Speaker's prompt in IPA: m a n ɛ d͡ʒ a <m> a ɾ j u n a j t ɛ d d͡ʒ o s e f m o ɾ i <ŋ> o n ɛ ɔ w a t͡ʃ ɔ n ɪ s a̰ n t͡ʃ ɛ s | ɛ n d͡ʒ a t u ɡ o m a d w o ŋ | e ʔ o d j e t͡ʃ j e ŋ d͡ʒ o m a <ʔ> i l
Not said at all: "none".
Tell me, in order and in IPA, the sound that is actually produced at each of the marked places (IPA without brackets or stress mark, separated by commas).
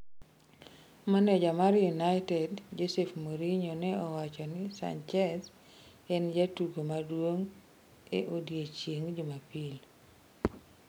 m, ɲ, p